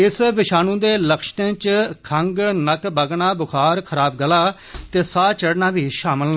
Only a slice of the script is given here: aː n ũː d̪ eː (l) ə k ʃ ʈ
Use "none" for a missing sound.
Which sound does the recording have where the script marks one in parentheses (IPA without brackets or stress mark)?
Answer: l